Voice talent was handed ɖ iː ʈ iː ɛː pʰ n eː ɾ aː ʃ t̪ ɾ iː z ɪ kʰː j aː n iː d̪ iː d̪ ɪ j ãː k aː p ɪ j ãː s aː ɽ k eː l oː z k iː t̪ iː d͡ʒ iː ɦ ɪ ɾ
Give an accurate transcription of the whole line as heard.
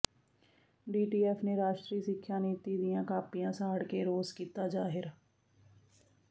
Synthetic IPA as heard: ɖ iː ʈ iː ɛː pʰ n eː ɾ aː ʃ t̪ ɾ iː s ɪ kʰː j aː n iː t̪ iː d̪ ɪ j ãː k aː p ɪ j ãː s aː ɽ k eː ɾ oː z k iː t̪ aː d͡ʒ aː ɦ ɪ ɾ